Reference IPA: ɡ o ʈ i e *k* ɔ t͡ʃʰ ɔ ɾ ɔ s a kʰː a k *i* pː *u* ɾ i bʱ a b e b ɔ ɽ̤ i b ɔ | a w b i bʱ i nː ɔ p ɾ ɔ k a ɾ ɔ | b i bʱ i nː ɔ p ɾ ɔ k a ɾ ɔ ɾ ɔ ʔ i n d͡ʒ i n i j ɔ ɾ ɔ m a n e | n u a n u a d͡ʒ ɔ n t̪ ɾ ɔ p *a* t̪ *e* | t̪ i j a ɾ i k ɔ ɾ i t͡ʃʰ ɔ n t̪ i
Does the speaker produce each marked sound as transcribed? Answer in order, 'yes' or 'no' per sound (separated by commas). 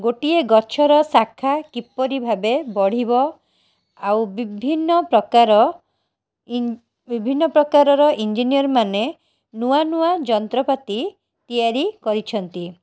no, yes, no, yes, no